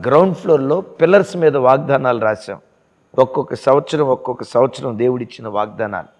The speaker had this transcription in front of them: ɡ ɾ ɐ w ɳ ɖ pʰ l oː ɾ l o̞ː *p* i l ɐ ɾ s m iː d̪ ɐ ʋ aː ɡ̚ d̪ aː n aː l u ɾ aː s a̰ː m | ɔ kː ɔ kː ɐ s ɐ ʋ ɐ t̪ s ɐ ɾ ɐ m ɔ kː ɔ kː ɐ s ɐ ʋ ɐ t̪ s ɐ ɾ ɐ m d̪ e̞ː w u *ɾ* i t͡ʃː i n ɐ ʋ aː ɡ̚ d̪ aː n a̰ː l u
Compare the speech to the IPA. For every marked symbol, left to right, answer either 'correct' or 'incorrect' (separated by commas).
correct, incorrect